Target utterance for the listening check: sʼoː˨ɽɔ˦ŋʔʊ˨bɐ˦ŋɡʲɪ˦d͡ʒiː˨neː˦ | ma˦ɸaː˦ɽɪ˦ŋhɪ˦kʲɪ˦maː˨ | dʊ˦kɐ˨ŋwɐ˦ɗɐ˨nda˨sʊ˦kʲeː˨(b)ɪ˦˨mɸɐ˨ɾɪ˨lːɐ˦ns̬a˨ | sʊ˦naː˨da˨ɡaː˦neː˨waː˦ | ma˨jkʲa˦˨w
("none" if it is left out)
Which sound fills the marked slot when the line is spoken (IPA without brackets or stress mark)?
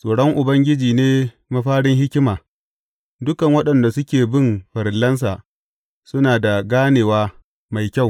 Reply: b